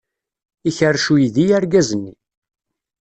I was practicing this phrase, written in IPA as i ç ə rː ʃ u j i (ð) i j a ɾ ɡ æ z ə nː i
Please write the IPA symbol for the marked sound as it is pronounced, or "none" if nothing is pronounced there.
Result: ð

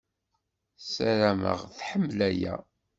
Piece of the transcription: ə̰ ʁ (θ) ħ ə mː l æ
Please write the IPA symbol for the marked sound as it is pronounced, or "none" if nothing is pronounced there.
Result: θ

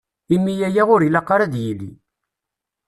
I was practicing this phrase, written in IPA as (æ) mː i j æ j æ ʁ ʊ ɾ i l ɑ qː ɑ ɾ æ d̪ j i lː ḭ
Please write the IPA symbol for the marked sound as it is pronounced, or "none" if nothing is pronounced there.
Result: i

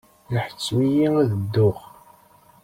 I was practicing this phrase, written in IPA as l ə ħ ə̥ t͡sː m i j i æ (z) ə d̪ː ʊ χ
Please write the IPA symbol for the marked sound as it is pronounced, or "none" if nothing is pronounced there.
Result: ð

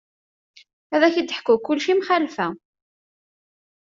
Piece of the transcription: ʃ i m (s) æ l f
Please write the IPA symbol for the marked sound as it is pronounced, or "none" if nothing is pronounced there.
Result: χ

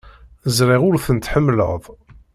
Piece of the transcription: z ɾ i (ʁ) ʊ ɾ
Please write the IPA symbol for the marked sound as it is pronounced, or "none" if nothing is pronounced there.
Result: ʁ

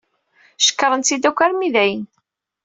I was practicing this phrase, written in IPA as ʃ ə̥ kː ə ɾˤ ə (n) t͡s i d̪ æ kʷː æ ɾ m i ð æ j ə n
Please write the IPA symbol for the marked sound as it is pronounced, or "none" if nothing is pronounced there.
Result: n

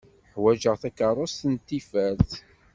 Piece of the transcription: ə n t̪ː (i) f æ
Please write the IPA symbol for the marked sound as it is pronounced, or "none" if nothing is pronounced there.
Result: i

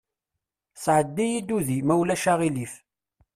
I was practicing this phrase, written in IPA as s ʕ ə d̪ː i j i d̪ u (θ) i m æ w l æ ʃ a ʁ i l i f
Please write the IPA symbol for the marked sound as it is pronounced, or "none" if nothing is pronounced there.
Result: ð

